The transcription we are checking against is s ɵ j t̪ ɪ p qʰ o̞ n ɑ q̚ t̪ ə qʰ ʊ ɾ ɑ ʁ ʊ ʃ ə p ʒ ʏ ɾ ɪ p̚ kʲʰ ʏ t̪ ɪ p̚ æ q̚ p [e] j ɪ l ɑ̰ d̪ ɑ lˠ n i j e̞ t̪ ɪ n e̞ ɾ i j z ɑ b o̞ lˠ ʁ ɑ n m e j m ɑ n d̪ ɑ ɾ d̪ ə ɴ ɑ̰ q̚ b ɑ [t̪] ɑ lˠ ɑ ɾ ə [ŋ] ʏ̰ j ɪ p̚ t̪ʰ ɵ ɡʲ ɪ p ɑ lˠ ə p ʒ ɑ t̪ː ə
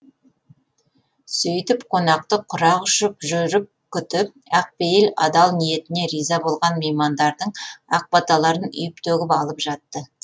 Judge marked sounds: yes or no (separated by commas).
yes, yes, no